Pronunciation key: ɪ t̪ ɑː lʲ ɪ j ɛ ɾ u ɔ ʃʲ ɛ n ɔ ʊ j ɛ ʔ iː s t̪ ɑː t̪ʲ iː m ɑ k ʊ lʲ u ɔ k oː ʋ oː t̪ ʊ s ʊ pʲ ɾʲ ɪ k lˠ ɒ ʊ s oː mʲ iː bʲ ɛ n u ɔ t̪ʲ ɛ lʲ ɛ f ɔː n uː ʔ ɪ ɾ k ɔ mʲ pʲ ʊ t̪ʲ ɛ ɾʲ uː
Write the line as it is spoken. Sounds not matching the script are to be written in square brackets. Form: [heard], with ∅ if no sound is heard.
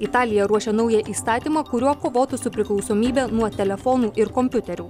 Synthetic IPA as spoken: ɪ t̪ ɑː lʲ ɪ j ɛ ɾ u ɔ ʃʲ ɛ n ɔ ʊ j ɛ ʔ iː s t̪ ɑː t̪ʲ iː m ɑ k ʊ [ɾʲ] u ɔ k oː ʋ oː t̪ ʊ s ʊ pʲ ɾʲ ɪ k lˠ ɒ ʊ s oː mʲ iː bʲ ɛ n u ɔ t̪ʲ ɛ lʲ ɛ f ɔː n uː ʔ ɪ ɾ k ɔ mʲ pʲ ʊ t̪ʲ ɛ ɾʲ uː